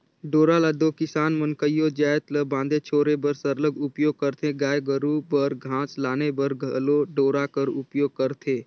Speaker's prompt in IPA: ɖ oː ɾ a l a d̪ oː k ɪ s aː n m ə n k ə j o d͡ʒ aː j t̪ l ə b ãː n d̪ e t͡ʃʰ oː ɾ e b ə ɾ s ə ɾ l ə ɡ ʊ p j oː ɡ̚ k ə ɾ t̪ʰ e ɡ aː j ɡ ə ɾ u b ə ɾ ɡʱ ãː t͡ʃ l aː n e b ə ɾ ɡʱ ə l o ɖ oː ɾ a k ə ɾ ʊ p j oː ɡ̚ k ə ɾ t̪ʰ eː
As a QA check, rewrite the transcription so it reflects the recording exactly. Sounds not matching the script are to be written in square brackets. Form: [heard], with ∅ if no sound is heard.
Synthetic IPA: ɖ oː ɾ a l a d̪ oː k ɪ s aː n m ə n k ə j o d͡ʒ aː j t̪ l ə b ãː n d̪ e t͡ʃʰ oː ɾ e b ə ɾ s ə ɾ l ə ɡ ʊ p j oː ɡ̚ k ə ɾ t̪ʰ e ɡ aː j ɡ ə ɾ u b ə ɾ ɡʱ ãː t͡ʃ l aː n e b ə ɾ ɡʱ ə l o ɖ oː ɾ a k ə ɾ ʊ p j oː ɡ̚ k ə ɾ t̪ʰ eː